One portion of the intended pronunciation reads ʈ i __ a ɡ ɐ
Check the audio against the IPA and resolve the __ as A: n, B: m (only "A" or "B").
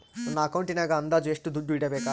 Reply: A